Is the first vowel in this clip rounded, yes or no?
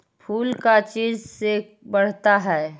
yes